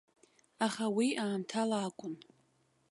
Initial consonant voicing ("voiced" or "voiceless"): voiceless